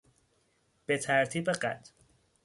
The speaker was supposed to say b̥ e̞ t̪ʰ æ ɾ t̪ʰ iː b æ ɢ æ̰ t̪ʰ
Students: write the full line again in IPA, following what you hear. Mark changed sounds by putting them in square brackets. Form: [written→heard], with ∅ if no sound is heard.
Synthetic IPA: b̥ e̞ t̪ʰ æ ɾ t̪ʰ iː b [æ→e] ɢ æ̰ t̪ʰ